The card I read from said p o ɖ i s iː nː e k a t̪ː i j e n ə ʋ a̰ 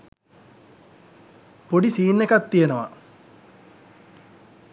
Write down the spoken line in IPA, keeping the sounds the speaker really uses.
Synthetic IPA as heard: p o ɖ i s iː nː e k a t̪ː i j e n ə ʋ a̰